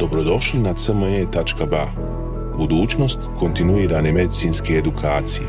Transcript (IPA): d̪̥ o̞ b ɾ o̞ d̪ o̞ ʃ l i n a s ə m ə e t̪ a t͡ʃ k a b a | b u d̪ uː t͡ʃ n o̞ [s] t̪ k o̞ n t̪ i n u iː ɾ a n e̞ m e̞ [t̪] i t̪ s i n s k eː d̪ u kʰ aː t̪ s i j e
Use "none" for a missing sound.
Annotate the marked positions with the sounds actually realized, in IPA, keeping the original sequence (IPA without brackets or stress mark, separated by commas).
s, d̪